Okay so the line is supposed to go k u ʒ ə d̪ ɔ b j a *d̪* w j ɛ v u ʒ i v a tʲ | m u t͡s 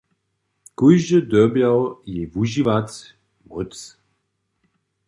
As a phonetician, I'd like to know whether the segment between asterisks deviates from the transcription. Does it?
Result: yes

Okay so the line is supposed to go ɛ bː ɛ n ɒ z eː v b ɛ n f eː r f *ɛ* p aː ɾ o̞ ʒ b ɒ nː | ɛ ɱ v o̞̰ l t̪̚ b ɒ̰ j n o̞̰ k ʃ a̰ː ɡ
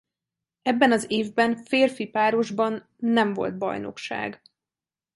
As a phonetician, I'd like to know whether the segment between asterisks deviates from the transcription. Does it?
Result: yes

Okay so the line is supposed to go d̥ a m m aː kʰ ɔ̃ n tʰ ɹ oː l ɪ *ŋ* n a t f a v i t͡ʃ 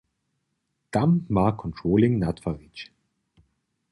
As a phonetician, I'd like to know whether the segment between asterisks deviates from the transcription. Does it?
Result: no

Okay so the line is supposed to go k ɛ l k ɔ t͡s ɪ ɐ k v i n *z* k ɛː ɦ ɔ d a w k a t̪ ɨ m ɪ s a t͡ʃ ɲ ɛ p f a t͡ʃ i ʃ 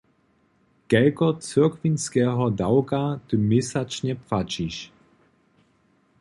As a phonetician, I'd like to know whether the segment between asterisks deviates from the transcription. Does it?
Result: yes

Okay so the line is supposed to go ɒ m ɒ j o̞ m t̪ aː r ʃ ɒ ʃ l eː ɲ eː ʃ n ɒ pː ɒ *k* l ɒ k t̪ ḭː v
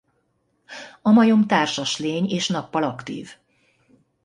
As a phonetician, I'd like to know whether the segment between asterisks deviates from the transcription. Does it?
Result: yes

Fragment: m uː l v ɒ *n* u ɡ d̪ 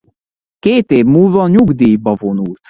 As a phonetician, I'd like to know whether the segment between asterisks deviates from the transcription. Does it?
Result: yes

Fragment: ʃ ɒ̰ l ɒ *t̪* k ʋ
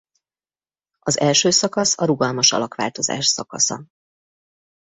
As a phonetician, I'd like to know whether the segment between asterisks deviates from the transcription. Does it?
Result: yes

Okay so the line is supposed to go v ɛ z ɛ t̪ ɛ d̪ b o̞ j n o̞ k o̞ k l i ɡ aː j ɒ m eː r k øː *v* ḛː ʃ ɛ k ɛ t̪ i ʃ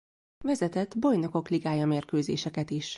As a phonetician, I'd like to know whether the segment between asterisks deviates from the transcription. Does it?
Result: yes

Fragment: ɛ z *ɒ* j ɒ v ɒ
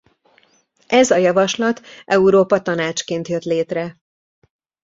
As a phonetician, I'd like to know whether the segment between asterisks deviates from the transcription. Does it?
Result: no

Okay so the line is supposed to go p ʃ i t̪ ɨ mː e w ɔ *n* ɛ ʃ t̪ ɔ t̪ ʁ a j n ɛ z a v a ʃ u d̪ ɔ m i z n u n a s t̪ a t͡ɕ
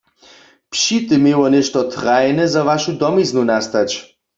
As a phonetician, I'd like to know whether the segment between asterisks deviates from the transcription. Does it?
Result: no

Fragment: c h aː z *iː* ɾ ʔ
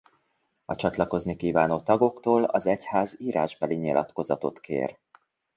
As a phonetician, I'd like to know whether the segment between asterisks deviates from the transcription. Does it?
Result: no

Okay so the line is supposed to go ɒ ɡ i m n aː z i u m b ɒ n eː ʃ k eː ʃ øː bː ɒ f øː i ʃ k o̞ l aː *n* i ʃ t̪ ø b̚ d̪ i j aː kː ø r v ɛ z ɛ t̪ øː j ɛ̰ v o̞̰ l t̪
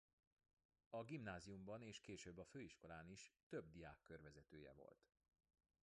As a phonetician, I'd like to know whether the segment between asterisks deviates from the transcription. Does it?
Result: no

